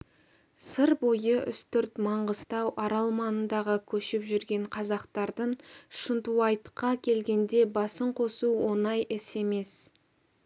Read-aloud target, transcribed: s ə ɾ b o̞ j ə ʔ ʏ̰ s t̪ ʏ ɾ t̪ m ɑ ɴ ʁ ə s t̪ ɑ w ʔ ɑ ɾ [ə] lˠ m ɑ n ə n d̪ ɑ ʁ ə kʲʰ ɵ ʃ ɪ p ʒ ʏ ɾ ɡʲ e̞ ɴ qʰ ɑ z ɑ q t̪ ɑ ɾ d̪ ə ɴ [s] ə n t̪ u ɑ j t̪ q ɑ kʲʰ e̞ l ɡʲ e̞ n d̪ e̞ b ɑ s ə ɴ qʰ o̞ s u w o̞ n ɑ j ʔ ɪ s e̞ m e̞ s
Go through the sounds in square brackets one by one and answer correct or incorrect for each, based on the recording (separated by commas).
incorrect, incorrect